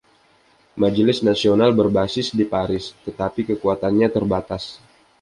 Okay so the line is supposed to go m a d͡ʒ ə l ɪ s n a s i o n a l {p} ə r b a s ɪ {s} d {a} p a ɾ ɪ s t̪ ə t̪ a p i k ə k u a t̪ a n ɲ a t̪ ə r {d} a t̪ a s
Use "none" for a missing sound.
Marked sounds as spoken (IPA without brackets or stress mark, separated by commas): b, s, i, b